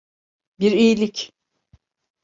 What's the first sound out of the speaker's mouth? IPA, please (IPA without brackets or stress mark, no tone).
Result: b